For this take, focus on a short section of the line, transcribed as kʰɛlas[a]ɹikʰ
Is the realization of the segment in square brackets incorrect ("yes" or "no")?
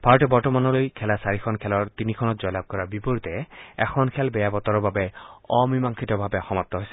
no